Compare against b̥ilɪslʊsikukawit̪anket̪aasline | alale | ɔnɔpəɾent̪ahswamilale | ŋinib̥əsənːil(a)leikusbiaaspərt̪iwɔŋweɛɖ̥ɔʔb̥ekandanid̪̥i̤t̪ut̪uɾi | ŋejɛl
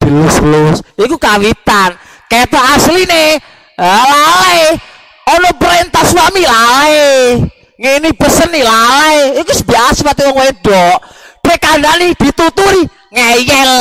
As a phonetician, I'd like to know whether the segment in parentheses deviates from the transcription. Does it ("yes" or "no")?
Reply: no